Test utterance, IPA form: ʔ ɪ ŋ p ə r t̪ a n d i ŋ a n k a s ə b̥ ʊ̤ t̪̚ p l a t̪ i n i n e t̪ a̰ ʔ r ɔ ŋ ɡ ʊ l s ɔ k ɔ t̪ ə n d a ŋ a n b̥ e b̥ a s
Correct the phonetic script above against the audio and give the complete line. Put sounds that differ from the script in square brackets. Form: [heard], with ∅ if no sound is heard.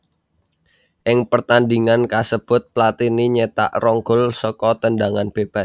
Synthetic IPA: ʔ ɪ ŋ p ə r t̪ a n d i ŋ a n k a s ə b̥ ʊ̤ t̪̚ p l a t̪ i n i [ɲ] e t̪ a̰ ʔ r ɔ ŋ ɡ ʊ l s ɔ k ɔ t̪ ə n d a ŋ a n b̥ e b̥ a s